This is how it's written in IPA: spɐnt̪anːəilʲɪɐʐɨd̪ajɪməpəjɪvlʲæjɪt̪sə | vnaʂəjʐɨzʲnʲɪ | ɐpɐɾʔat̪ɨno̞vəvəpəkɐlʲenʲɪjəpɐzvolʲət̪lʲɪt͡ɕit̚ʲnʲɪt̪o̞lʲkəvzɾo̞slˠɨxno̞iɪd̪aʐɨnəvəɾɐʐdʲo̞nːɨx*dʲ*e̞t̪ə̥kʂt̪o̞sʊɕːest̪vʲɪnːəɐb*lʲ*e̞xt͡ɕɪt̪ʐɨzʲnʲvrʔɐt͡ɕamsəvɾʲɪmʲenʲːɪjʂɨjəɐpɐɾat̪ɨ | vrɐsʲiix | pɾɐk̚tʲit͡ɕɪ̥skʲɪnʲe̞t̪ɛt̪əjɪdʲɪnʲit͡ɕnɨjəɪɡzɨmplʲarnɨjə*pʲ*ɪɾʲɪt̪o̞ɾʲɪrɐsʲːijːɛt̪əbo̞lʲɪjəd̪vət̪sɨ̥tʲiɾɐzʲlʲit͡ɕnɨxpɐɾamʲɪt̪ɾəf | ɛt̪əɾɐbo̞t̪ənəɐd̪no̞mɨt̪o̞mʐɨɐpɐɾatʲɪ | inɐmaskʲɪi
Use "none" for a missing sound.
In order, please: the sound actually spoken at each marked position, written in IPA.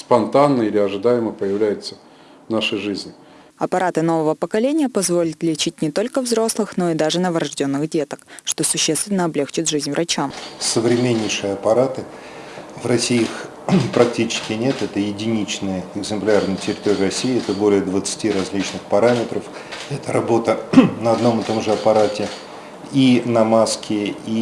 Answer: dʲ, lʲ, tʲ

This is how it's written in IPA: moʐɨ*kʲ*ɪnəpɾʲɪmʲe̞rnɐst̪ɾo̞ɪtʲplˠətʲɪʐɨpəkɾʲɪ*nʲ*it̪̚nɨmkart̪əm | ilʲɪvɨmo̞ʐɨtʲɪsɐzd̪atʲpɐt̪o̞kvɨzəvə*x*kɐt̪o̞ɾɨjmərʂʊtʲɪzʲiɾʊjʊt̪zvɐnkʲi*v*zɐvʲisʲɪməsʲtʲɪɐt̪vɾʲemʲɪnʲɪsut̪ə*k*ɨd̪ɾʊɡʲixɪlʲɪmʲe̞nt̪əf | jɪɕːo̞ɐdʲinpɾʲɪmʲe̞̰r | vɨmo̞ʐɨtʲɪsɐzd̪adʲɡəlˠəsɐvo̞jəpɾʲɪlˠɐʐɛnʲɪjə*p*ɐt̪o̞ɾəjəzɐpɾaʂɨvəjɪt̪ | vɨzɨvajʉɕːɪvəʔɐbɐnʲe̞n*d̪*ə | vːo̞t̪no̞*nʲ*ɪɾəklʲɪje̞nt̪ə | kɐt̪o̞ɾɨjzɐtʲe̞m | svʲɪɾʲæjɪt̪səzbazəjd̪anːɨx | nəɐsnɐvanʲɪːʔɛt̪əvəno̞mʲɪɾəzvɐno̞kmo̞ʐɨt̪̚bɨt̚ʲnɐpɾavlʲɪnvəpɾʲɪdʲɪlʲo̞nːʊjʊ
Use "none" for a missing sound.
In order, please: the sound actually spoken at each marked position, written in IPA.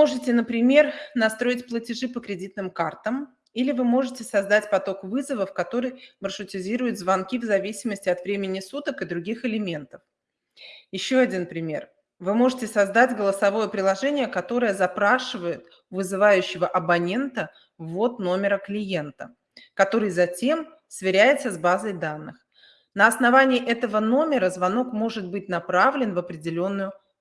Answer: tʲ, dʲ, f, v, k, k, t̪, mʲ

